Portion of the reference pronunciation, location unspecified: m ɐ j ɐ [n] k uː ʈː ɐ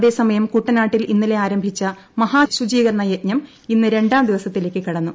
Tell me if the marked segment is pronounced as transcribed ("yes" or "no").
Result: no